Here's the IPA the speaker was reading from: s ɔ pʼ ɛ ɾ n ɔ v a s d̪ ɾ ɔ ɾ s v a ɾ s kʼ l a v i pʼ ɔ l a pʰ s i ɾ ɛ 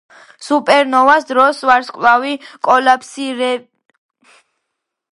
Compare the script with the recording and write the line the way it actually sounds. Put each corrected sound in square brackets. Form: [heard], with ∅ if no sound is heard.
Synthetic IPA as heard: s [u] pʼ ɛ ɾ n ɔ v a s d̪ ɾ ɔ [∅] s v a ɾ s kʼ l a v i [kʼ] ɔ l a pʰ s i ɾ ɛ